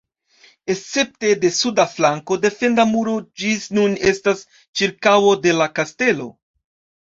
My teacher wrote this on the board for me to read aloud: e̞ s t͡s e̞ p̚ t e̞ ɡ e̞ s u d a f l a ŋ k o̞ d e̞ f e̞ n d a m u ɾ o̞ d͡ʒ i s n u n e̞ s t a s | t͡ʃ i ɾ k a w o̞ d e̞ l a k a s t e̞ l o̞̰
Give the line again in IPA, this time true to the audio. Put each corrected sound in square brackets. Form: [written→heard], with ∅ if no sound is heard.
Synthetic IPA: e̞ s t͡s e̞ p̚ t e̞ [ɡ→d] e̞ s u d a f l a ŋ k o̞ d e̞ f e̞ n d a m u ɾ o̞ d͡ʒ i s n u n e̞ s t a s | t͡ʃ i ɾ k a w o̞ d e̞ l a k a s t e̞ l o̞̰